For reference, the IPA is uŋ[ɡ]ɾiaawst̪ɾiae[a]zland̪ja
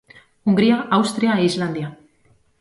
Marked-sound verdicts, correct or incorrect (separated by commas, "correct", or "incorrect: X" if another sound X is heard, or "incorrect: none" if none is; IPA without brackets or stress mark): correct, incorrect: i